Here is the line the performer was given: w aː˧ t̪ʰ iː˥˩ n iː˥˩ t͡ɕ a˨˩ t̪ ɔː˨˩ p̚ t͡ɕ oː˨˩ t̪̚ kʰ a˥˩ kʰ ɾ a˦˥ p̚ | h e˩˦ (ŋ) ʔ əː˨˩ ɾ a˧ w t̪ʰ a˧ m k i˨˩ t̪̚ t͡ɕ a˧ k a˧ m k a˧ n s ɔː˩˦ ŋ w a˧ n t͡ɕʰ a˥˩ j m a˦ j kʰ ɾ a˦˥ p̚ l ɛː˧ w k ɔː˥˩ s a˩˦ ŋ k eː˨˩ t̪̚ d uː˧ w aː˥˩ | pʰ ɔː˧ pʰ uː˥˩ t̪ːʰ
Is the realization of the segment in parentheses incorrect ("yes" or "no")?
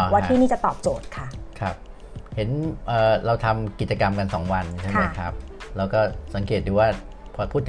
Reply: yes